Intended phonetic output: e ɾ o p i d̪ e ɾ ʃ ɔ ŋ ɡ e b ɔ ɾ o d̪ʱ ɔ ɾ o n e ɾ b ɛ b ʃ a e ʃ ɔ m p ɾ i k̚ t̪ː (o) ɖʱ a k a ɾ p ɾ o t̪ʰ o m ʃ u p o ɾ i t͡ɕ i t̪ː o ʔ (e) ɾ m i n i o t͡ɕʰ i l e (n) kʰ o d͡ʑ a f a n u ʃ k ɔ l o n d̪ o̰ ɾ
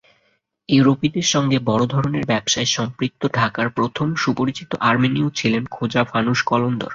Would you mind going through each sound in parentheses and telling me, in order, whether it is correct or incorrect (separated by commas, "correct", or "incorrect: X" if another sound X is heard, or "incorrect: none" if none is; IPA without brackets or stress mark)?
correct, incorrect: a, correct